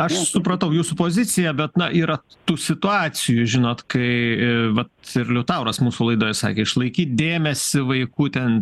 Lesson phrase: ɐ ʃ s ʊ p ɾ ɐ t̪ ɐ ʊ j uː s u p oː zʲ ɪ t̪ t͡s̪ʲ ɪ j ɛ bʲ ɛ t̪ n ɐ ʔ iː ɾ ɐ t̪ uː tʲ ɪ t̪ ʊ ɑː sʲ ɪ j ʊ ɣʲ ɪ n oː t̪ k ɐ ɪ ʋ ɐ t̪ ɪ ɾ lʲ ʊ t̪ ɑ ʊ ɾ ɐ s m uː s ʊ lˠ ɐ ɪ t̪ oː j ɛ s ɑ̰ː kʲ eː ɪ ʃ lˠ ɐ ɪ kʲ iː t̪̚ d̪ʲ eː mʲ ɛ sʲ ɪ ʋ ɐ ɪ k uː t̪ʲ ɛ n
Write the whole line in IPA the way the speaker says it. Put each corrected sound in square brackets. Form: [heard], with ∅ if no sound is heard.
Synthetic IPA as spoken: ɐ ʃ s ʊ p ɾ ɐ t̪ ɐ ʊ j uː s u p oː zʲ ɪ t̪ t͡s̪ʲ ɪ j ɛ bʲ ɛ t̪ n ɐ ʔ iː ɾ ɐ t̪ uː [sʲ] ɪ t̪ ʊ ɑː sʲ ɪ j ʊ [ʒʲ] ɪ n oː t̪ k ɐ ɪ ʋ ɐ t̪ ɪ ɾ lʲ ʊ t̪ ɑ ʊ ɾ ɐ s m uː s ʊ lˠ ɐ ɪ [d̪] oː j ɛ s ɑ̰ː kʲ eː ɪ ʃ lˠ ɐ ɪ kʲ iː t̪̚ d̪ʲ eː mʲ ɛ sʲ ɪ ʋ ɐ ɪ k uː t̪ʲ ɛ n